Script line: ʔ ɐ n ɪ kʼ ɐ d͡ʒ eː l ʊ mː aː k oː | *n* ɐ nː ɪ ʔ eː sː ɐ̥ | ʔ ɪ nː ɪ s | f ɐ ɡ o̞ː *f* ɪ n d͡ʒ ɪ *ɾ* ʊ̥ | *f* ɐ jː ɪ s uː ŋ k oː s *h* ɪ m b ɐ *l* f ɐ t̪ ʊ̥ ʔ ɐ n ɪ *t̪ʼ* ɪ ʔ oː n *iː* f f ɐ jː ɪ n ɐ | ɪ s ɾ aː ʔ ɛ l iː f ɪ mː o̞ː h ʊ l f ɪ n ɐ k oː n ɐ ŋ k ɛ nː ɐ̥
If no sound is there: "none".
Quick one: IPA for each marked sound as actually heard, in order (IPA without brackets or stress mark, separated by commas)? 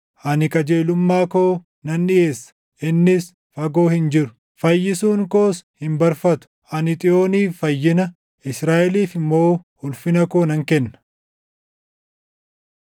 n, h, ɾ, f, h, ɾ, t̪ʼ, iː